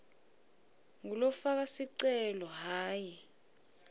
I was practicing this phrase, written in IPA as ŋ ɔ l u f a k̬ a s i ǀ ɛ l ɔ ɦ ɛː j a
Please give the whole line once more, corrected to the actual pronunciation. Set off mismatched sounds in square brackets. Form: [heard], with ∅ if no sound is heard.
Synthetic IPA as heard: ŋ [u] l [ɔ] f a k̬ a s i ǀ ɛ l ɔ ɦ [aː] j [i]